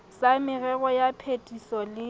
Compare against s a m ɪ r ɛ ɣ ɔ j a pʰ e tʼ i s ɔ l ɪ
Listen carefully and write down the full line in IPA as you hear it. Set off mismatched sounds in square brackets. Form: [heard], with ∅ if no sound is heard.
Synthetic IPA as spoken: s a m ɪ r ɛ ɣ ɔ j a pʰ e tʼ i s ɔ l ɪ